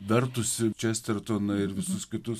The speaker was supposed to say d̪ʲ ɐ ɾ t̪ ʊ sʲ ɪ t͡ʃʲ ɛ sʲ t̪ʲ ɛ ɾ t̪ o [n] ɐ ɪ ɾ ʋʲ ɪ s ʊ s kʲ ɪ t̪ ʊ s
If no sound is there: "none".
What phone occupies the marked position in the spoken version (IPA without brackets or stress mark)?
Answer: n